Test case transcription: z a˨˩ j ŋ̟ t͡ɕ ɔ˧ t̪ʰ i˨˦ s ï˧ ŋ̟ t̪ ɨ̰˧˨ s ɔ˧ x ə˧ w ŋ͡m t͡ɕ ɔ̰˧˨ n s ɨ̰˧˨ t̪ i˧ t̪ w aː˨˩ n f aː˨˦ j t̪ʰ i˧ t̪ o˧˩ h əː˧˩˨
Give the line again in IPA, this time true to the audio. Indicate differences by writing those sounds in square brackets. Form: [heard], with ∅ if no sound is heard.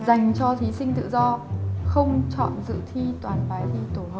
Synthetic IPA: z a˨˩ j ŋ̟ t͡ɕ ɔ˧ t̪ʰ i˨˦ s ï˧ ŋ̟ t̪ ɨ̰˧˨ [z] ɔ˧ x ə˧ w ŋ͡m t͡ɕ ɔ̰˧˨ n [z] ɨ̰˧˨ [t̪ʰ] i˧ t̪ w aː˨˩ n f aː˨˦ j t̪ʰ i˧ t̪ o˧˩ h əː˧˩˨